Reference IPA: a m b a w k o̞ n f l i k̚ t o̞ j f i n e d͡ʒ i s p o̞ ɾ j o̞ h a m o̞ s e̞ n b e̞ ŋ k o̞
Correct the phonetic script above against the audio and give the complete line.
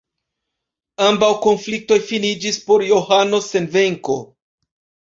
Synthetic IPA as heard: a m b a w k o̞ n f l i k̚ t o̞ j f i n i d͡ʒ i s p o̞ ɾ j o̞ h a n o̞ s e̞ n v e̞ ŋ k o̞